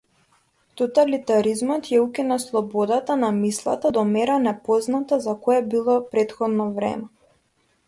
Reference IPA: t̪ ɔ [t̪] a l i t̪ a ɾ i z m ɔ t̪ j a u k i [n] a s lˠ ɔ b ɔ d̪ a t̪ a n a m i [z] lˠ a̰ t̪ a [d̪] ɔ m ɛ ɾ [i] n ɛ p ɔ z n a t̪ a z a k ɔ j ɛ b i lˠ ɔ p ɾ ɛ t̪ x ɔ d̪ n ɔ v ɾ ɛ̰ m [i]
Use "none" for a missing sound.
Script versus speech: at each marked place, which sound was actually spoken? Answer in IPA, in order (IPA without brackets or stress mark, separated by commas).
t̪, n, s, d̪, a, ɛ